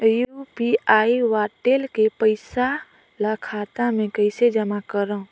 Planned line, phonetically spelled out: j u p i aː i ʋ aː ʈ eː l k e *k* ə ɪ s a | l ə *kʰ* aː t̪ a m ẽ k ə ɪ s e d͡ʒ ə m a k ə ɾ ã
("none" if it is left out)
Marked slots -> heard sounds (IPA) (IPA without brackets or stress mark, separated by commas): p, kʰ